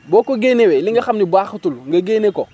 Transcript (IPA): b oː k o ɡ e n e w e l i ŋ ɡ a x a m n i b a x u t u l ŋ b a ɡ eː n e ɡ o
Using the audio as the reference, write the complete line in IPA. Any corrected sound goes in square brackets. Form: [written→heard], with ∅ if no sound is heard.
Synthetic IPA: b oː k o ɡ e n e w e l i ŋ ɡ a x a m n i b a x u t u l ŋ [b→ɡ] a ɡ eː n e [ɡ→k] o